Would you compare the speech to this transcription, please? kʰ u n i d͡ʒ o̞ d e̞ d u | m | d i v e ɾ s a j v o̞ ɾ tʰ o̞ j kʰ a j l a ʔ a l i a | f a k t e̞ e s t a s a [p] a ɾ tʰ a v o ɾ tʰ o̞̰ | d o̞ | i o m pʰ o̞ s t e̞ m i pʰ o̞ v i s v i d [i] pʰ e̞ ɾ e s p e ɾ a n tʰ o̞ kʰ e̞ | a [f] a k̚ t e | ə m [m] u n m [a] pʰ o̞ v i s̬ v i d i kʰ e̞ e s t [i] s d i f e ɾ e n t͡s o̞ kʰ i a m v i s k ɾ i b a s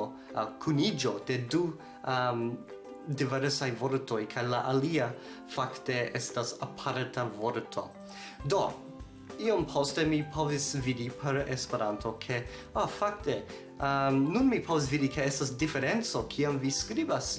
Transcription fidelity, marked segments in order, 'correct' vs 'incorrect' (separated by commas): incorrect, correct, correct, incorrect, incorrect, incorrect